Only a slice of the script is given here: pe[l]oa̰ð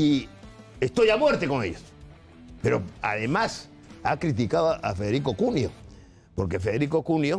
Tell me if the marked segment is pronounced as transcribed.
no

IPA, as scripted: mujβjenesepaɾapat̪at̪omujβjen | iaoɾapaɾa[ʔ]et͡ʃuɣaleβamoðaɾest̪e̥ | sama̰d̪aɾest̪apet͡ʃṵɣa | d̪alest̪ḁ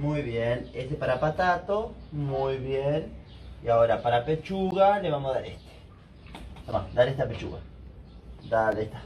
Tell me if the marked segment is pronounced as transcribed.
no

